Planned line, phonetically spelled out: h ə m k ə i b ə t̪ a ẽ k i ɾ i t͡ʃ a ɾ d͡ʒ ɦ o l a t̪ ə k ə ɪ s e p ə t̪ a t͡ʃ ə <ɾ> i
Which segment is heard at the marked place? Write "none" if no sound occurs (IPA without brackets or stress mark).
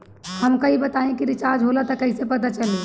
l